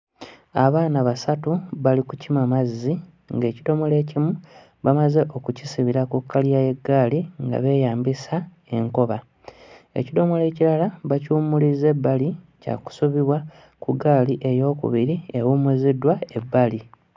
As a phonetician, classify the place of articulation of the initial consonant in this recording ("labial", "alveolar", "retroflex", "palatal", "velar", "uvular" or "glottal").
labial